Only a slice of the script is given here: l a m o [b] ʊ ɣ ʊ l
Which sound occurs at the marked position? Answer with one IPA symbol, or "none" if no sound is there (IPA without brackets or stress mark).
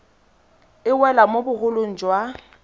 b